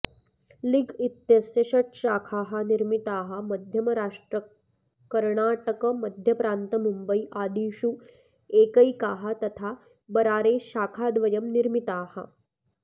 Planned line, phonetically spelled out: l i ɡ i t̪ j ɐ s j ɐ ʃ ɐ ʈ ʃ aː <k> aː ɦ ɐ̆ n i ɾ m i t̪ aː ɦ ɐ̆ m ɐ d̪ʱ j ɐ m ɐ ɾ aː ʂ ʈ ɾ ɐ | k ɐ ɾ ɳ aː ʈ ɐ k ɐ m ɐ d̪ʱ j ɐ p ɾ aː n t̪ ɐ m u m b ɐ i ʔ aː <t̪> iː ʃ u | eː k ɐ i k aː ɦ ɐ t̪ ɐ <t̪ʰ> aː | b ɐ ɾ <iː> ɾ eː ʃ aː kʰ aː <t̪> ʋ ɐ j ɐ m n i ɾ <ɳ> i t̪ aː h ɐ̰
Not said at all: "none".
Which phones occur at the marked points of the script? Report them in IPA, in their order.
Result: kʰ, d̪, t̪ʰ, aː, d̪, m

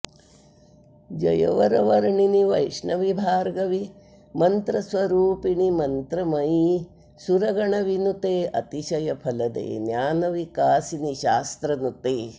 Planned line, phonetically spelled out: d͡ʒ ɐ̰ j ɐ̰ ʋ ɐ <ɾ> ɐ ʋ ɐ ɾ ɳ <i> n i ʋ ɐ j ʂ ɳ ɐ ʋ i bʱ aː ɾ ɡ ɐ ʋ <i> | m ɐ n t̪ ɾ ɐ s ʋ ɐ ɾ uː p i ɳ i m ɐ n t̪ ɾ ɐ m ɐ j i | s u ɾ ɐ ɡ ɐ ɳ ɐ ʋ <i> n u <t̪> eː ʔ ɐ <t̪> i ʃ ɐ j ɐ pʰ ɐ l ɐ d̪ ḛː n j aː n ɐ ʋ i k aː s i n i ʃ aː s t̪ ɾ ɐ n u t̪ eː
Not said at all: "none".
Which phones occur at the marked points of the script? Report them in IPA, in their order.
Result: ɾ, i, i, i, t̪, t̪

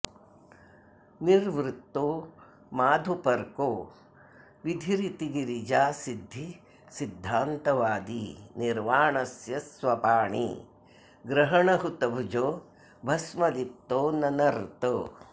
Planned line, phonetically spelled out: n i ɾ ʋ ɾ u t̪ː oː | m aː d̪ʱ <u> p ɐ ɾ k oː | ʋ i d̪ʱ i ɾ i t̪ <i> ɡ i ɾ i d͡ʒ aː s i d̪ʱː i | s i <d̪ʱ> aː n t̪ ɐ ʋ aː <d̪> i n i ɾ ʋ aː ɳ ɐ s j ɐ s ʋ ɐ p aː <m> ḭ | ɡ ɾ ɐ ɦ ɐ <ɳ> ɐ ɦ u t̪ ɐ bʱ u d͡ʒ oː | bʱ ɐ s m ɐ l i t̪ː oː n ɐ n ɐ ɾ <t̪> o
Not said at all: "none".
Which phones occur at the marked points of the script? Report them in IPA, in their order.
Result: u, i, d̪ʱː, d̪, ɳ, ɳ, t̪

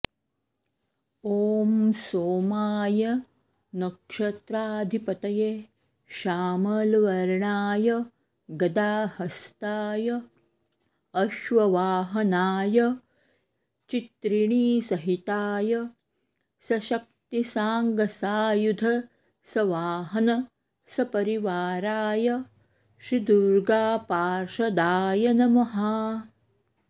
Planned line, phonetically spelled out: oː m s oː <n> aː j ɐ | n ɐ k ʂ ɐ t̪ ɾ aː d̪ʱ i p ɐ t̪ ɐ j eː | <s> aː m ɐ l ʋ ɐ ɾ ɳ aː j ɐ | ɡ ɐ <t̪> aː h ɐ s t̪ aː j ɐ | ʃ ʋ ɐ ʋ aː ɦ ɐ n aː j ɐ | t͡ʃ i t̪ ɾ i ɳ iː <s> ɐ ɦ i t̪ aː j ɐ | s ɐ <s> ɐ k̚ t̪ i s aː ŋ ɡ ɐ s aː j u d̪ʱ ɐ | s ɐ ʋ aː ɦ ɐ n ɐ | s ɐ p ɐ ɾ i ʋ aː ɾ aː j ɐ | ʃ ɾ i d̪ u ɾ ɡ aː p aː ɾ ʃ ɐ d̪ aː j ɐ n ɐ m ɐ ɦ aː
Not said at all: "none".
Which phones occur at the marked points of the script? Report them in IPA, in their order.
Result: m, ʃ, d̪, s, ʃ

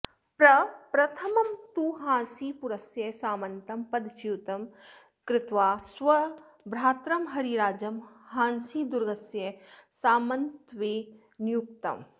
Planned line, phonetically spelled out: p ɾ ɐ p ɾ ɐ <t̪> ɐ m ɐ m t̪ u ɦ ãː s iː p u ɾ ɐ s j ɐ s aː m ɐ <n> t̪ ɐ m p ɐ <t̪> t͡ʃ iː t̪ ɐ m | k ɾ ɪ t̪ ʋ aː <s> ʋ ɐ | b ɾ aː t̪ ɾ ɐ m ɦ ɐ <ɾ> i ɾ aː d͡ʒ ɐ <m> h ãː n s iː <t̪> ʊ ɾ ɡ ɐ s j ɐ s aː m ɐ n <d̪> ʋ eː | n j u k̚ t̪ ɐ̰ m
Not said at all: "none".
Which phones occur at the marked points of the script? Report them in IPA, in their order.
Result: t̪ʰ, n, d̪, s, ɾ, m, d̪, t̪

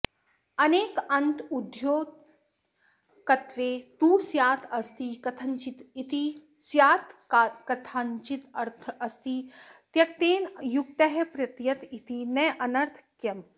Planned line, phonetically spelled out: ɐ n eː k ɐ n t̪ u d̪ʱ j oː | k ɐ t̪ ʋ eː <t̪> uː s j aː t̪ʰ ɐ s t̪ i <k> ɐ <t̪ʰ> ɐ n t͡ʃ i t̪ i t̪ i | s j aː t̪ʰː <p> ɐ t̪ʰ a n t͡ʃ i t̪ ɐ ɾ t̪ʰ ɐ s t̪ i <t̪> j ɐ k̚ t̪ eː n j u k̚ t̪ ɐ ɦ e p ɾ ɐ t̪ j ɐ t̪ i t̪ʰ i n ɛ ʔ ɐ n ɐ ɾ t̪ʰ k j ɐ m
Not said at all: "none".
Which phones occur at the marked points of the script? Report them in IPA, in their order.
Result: t̪, k, t̪ʰ, k, t̪

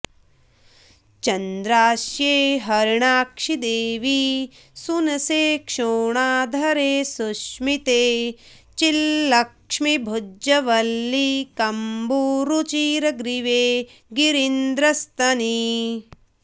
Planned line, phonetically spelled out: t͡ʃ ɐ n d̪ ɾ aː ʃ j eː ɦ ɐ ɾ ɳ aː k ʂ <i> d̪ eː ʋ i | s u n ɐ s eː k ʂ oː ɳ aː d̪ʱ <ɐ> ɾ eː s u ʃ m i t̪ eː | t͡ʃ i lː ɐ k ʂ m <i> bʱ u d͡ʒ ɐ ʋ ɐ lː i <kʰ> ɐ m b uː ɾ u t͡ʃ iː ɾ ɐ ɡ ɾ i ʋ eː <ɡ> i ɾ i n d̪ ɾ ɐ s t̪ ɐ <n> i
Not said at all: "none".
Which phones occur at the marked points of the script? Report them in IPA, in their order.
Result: i, ɐ, i, k, ɡ, n

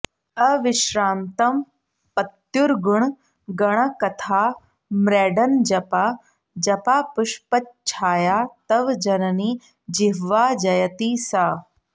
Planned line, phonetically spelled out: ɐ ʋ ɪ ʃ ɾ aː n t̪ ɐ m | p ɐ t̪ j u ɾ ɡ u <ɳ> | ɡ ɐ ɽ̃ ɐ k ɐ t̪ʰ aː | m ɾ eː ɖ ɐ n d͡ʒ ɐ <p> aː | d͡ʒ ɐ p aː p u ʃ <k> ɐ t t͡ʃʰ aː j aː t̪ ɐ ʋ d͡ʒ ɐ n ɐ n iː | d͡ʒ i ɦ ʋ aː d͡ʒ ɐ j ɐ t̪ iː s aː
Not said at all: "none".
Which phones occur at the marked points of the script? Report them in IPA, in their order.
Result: ɳ, p, p

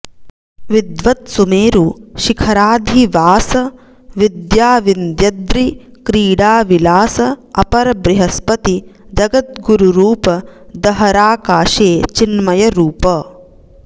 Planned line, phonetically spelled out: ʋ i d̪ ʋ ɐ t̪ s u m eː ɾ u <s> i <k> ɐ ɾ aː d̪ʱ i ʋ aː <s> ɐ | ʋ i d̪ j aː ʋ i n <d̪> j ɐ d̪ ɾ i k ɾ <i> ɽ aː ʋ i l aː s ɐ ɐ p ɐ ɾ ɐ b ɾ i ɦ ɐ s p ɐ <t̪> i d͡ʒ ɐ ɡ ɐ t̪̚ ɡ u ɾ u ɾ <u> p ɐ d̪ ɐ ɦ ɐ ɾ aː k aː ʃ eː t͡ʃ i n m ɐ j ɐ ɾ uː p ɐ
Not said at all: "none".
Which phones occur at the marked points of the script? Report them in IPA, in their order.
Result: ʃ, kʰ, s, d̪, iː, t̪, uː

